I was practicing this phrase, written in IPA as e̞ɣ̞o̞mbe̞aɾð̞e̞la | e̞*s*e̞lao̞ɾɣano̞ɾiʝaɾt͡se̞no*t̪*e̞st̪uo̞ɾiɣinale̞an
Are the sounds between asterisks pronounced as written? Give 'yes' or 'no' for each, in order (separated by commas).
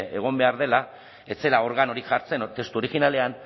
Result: no, yes